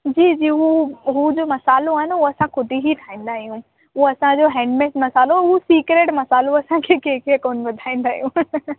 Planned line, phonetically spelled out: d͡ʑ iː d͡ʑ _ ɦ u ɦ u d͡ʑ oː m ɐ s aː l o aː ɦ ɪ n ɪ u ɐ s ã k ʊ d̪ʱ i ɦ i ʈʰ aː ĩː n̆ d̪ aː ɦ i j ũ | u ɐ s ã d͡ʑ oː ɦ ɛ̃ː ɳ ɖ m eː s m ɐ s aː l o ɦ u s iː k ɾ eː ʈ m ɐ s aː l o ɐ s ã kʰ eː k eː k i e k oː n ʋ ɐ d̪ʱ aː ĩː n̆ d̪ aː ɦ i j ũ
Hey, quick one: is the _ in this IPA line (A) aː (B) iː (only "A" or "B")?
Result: B